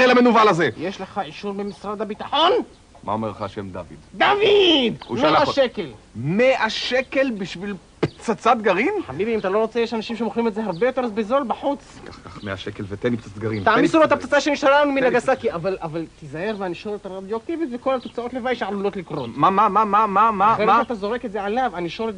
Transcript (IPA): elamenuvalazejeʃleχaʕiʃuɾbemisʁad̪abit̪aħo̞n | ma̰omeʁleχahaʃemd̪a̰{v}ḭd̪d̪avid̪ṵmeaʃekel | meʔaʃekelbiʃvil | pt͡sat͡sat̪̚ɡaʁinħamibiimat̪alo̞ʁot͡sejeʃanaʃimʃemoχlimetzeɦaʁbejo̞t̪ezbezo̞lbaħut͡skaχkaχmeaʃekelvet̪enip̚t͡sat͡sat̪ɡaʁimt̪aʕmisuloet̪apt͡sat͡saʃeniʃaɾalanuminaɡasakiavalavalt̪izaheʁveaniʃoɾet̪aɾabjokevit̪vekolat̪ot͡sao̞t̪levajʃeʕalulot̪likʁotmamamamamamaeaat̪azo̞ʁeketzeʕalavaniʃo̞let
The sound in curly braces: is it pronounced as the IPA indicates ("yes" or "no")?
yes